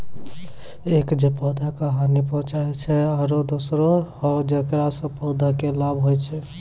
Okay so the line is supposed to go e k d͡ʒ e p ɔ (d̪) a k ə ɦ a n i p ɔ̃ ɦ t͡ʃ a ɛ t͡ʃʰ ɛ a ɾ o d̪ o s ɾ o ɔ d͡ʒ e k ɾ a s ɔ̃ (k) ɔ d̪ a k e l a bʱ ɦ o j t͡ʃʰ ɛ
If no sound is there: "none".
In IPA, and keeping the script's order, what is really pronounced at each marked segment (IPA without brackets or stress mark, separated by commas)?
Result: d̪, p